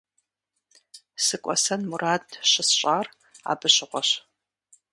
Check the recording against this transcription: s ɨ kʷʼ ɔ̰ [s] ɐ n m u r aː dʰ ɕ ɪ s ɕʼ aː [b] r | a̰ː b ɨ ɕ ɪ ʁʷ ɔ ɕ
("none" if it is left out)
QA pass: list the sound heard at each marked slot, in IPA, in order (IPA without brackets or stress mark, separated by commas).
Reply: s, none